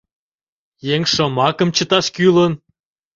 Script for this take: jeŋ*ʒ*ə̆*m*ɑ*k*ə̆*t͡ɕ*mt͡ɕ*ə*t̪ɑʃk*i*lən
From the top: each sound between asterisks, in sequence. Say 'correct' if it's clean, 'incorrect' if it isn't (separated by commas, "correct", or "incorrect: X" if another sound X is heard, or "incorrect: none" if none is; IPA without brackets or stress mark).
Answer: incorrect: ʃ, correct, correct, incorrect: none, correct, incorrect: y